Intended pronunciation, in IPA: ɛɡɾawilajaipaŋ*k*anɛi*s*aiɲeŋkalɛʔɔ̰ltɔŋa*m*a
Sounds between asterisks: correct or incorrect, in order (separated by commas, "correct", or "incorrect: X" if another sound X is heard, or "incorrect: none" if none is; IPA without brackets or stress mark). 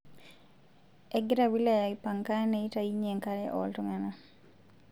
correct, incorrect: t, incorrect: n